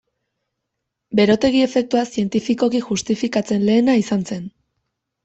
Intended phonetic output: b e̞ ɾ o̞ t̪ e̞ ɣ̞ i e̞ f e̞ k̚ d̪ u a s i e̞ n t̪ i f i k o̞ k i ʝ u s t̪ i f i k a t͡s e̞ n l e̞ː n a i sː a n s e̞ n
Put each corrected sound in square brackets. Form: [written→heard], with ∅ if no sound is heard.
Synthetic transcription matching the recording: b e̞ ɾ o̞ t̪ e̞ ɣ̞ i e̞ f e̞ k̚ [d̪→t̪] u a s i e̞ n t̪ i f i k o̞ k i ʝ u s t̪ i f i k a t͡s e̞ n l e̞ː n a i [sː→s] a n s e̞ n

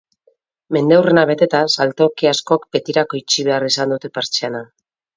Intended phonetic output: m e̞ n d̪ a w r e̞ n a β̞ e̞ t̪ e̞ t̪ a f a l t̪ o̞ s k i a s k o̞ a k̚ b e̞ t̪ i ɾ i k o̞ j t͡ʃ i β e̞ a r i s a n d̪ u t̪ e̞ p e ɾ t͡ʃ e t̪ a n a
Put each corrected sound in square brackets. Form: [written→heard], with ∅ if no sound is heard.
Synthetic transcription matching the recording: m e̞ n d̪ [a→e] w r e̞ n a β̞ e̞ t̪ e̞ t̪ a [f→s] a l t̪ o̞ [s→∅] k i a s k o̞ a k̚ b e̞ t̪ i ɾ [i→a] k o̞ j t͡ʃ i β e̞ a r i s a n d̪ u t̪ e̞ p e ɾ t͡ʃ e [t̪→∅] a n a

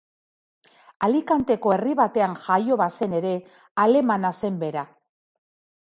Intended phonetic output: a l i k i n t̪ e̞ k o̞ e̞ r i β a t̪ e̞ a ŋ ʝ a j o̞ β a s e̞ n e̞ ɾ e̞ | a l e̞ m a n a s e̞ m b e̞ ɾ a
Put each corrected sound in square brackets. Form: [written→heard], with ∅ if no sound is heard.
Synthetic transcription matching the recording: a l i k [i→a] n t̪ e̞ k o̞ e̞ r i β a t̪ e̞ a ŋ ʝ a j o̞ β a s e̞ n e̞ ɾ e̞ | a l e̞ m a n a s e̞ m b e̞ ɾ a

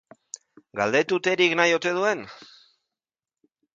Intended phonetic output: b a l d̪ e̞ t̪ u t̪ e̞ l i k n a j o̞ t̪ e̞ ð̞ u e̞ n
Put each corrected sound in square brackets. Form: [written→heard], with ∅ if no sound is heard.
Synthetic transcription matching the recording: [b→ɡ] a l d̪ e̞ t̪ u t̪ e̞ [l→ɾ] i k n a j o̞ t̪ e̞ ð̞ u e̞ n

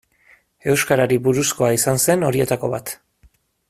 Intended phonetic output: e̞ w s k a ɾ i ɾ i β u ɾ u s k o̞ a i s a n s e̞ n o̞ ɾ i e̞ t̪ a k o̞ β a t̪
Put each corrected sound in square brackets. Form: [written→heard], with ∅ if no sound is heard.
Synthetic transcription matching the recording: e̞ w s k a ɾ [i→a] ɾ i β u ɾ u s k o̞ a i s a n s e̞ n o̞ ɾ i e̞ t̪ a k o̞ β a t̪

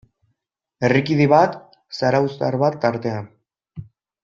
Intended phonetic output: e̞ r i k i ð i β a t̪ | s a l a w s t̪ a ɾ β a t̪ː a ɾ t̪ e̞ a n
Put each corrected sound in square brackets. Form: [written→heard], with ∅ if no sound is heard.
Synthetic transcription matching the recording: e̞ r i k i ð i β a t̪ | s a [l→ɾ] a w s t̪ a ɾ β a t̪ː a ɾ t̪ e̞ a n

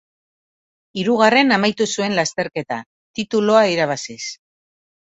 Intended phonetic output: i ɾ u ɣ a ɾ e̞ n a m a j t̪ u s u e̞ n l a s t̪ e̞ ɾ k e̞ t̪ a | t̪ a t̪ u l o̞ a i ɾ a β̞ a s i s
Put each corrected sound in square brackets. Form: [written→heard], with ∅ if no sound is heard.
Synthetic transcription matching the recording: i ɾ u ɣ a [ɾ→r] e̞ n a m a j t̪ u s u e̞ n l a s t̪ e̞ ɾ k e̞ t̪ a | t̪ [a→i] t̪ u l o̞ a i ɾ a β̞ a s i s

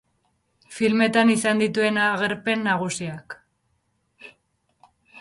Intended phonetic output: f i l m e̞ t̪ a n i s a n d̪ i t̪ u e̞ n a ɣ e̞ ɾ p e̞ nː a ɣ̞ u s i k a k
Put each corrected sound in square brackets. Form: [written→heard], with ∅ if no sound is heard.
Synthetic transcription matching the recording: f i l m e̞ t̪ a n i s a n d̪ i t̪ u e̞ n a ɣ e̞ ɾ p e̞ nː a ɣ̞ u s i [k→∅] a k

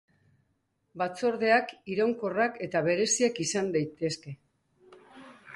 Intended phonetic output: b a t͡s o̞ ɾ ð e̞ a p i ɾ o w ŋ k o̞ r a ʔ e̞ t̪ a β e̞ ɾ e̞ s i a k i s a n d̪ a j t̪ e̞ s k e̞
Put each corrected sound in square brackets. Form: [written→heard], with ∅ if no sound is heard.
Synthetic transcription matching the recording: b a t͡s o̞ ɾ ð e̞ a [p→k] i ɾ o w ŋ k o̞ r a [ʔ→k] e̞ t̪ a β e̞ ɾ e̞ s i a k i s a n d̪ a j t̪ e̞ s k e̞

